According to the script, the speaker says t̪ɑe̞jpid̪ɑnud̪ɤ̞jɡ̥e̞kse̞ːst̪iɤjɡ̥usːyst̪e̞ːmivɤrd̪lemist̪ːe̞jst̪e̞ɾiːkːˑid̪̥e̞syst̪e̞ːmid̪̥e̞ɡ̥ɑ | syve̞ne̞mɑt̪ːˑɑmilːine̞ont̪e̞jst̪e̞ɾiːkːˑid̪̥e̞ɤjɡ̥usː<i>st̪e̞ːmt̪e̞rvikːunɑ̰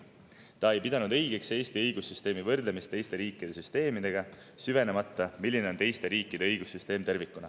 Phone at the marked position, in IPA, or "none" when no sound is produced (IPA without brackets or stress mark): y